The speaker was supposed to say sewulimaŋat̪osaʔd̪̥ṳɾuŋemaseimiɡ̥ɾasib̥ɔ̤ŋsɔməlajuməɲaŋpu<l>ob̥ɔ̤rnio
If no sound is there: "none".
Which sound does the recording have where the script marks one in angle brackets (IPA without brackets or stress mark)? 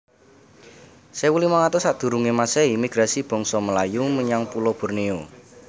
l